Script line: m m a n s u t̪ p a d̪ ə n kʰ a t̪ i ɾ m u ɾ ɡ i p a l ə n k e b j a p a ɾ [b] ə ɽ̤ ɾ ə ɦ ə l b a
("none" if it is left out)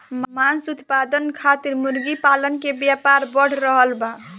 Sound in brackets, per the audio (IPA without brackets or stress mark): b